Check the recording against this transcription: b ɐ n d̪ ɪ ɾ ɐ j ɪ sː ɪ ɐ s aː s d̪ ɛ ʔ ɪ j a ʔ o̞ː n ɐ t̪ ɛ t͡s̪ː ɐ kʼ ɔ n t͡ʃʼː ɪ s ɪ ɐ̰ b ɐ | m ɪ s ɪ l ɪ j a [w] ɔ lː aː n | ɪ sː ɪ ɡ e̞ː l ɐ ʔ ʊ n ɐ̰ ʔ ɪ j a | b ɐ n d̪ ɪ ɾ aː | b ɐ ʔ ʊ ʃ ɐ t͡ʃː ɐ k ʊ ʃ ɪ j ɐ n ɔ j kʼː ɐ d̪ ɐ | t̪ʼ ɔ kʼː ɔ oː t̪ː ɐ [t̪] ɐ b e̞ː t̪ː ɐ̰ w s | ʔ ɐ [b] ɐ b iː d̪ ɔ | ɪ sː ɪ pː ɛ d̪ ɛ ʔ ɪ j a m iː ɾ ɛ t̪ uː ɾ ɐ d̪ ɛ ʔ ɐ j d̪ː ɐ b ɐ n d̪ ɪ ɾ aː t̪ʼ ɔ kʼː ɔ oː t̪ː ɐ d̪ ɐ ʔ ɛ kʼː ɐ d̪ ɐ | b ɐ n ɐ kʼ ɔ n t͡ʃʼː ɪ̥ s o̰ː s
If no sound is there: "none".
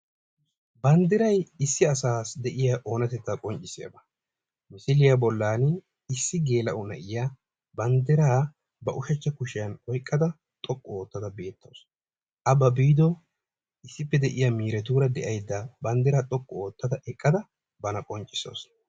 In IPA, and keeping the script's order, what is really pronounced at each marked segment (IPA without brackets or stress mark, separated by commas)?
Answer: b, d̪, b